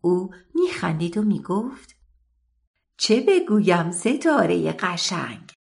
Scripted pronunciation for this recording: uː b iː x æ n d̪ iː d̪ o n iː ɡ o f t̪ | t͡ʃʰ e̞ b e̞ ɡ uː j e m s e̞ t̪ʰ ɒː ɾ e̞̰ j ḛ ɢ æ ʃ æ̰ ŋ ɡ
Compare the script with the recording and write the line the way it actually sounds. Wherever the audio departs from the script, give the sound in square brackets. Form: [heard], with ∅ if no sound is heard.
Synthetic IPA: uː [m] iː x æ n d̪ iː d̪ o [m] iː ɡ o f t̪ | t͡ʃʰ e̞ b e̞ ɡ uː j [æ] m s e̞ t̪ʰ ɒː ɾ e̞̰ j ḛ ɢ æ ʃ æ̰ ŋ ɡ